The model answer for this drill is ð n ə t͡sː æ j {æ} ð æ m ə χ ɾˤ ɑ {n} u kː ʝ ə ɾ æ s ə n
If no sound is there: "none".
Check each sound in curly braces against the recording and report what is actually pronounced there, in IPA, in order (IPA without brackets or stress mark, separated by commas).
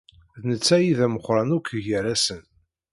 i, n